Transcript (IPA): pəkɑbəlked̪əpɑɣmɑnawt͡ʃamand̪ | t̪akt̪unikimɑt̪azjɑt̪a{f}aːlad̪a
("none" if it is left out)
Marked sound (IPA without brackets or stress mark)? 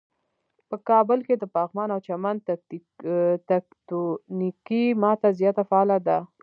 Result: f